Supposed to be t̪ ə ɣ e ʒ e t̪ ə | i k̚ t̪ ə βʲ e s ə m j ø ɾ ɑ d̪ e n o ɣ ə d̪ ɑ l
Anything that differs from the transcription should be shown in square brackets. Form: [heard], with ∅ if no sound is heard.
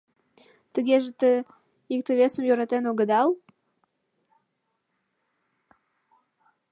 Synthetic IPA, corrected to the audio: t̪ ə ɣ e ʒ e t̪ ə | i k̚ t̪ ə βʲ e s ə m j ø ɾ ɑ [t̪] e n o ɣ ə d̪ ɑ l

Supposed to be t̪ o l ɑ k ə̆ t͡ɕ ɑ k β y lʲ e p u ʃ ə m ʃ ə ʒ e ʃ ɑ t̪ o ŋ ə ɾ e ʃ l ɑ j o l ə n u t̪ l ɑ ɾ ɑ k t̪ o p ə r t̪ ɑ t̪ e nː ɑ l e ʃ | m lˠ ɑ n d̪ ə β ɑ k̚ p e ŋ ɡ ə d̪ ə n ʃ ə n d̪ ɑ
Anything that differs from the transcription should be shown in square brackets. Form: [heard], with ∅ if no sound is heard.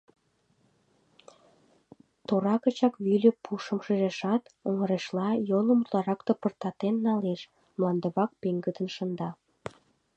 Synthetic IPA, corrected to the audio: t̪ o [ɾ] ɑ k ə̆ t͡ɕ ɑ k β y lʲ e p u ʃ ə m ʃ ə ʒ e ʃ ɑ t̪ o ŋ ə ɾ e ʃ l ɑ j o l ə [m] u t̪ l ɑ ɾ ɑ k t̪ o p ə r t̪ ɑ t̪ e nː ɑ l e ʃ | m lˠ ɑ n d̪ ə β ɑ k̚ p e ŋ ɡ ə d̪ ə n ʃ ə n d̪ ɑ

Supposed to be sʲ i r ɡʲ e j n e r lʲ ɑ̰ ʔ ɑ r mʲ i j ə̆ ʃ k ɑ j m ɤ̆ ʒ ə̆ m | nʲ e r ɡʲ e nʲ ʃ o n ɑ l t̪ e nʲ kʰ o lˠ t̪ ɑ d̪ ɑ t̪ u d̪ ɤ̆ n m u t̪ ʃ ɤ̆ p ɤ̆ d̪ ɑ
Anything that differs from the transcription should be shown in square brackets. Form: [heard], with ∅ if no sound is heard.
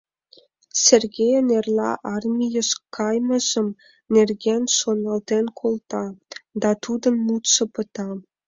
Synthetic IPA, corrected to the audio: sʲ [e] r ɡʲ e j n e r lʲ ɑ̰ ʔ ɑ r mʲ i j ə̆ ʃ k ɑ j m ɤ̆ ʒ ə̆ m | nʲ e r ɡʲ e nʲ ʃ o n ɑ l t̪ e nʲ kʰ o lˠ t̪ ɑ d̪ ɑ t̪ u d̪ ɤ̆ n m u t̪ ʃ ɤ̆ p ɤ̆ [t̪] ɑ

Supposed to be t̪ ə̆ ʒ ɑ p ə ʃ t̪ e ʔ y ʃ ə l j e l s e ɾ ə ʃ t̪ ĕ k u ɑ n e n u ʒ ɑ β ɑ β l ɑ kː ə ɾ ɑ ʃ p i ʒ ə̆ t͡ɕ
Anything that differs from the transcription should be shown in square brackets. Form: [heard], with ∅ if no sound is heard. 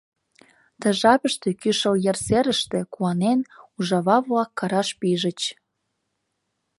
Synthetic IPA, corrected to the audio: t̪ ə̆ ʒ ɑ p ə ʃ t̪ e [k] y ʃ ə l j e [r] s e ɾ ə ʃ t̪ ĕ k u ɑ n e n u ʒ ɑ β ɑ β l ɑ kː [ɑ] ɾ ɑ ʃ p i ʒ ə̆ t͡ɕ

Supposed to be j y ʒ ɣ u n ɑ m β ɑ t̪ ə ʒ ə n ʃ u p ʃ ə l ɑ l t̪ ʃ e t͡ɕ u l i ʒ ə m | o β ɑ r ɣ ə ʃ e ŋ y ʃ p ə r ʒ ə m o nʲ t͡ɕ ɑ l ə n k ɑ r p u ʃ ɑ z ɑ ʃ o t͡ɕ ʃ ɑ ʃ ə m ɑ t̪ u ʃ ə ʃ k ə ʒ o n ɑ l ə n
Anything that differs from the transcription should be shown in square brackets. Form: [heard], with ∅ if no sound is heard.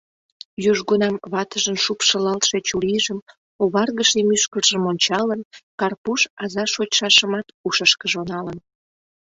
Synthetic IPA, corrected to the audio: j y ʒ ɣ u n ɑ m β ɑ t̪ ə ʒ ə n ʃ u p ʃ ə l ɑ l t̪ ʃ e t͡ɕ u l i ʒ ə m | o β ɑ r ɣ ə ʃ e [m] y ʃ [k] ə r ʒ ə m o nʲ t͡ɕ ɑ l ə n k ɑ r p u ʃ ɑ z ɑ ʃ o t͡ɕ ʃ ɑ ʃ ə m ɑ t̪ u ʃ ə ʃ k ə ʒ o n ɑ l ə n

